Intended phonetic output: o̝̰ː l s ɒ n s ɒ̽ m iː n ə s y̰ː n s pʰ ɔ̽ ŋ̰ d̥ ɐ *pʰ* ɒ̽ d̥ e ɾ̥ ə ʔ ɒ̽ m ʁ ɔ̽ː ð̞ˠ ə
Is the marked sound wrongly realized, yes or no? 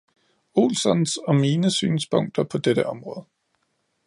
no